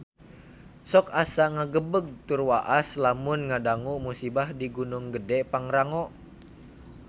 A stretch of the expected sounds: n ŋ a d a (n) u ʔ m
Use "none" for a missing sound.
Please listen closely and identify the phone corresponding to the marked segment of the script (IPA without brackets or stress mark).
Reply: ŋ